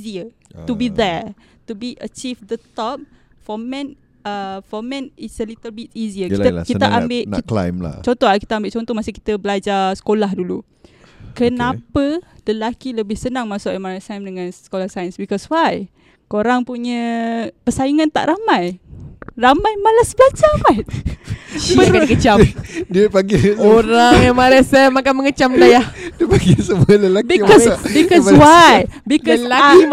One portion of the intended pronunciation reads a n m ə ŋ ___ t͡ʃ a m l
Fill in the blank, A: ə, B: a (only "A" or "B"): A